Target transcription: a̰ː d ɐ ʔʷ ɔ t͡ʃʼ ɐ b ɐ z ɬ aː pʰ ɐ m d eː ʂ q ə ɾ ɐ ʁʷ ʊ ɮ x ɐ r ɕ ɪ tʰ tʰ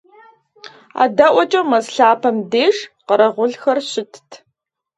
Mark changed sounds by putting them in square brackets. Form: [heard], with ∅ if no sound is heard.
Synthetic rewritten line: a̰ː d ɐ ʔʷ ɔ t͡ʃʼ ɐ [m] ɐ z ɬ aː pʰ ɐ m d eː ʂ q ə ɾ ɐ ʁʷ ʊ ɮ x ɐ r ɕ ɪ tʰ tʰ

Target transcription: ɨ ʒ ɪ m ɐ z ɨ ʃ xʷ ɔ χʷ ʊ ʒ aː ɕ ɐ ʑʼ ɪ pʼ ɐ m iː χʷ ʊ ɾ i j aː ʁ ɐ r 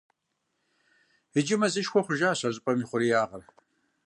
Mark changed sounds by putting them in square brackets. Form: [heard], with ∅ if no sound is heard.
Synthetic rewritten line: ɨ [d͡ʒ] ɪ m ɐ z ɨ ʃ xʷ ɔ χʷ ʊ ʒ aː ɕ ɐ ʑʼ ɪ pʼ ɐ m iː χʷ ʊ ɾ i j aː ʁ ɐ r

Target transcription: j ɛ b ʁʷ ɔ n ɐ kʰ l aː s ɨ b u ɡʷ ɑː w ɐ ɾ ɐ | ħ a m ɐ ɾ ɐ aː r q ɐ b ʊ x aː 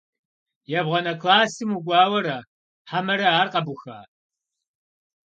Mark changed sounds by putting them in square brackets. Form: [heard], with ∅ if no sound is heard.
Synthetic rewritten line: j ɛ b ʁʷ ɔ n ɐ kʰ l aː s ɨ [m] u ɡʷ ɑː w ɐ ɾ ɐ | ħ a m ɐ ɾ ɐ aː r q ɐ b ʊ x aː

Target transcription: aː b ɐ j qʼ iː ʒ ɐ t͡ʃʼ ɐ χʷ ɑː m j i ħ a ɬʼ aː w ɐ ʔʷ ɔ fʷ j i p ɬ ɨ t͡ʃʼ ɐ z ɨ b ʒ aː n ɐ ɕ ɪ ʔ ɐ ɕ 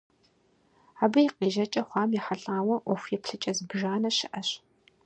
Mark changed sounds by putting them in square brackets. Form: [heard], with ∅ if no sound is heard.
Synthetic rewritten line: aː b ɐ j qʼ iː ʒ ɐ t͡ʃʼ ɐ χʷ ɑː m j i ħ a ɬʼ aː w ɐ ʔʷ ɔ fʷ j [ɛ] p ɬ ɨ t͡ʃʼ ɐ z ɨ b ʒ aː n ɐ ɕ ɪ ʔ ɐ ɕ

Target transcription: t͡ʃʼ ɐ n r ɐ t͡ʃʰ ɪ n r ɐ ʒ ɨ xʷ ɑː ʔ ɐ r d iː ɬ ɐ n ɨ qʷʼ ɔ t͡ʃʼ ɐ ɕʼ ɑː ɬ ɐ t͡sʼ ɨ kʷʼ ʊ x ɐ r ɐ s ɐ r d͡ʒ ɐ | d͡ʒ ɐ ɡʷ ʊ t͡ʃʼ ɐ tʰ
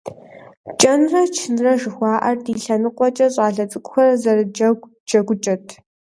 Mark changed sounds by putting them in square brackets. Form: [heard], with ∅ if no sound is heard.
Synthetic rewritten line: t͡ʃʼ ɐ n r ɐ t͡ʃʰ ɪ n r ɐ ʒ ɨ xʷ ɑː ʔ ɐ r d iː ɬ ɐ n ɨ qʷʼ ɔ t͡ʃʼ ɐ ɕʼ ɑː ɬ ɐ t͡sʼ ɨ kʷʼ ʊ x ɐ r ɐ [z] ɐ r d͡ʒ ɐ | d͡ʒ ɐ ɡʷ ʊ t͡ʃʼ ɐ tʰ

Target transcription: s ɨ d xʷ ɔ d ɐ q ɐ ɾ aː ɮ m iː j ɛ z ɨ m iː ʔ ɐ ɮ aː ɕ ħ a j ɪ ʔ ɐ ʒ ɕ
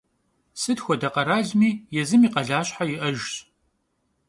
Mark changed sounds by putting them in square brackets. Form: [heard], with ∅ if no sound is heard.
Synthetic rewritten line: s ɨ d xʷ ɔ d ɐ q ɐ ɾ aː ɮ m iː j ɛ z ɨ m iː [q] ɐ ɮ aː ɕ ħ a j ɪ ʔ ɐ ʒ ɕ

